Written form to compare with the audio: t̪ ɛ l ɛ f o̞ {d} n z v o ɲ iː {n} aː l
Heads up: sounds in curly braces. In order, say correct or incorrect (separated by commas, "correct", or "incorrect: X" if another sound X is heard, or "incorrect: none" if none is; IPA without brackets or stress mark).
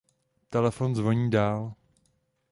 incorrect: none, incorrect: d